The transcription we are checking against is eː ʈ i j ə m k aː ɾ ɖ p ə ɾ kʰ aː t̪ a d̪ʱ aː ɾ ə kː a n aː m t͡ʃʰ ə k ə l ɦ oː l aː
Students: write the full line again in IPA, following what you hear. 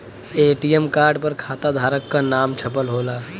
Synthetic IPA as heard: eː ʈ i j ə m k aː ɾ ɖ p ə ɾ kʰ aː t̪ a d̪ʱ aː ɾ ə kː a n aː m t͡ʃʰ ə p ə l ɦ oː l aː